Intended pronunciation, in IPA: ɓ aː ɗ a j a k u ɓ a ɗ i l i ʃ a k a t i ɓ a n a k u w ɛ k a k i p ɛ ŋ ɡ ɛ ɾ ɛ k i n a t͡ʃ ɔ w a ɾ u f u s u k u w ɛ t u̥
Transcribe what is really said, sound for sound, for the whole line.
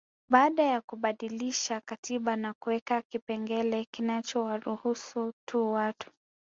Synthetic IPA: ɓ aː ɗ a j a k u ɓ a ɗ i l i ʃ a k a t i ɓ a n a k u w ɛ k a k i p ɛ ŋ ɡ ɛ l ɛ k i n a t͡ʃ ɔ w a ɾ u h u s u t u w a t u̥